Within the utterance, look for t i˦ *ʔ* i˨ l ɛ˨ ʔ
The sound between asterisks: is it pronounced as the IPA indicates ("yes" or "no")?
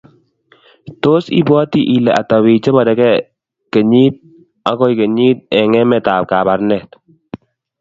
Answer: yes